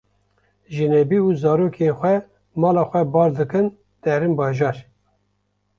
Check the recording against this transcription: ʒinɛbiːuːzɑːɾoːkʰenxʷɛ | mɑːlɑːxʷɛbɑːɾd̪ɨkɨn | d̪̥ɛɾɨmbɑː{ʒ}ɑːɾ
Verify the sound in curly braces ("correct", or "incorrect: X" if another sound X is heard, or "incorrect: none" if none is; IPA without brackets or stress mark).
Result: correct